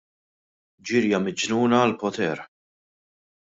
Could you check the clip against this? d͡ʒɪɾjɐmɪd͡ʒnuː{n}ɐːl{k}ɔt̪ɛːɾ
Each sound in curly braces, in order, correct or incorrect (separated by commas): correct, incorrect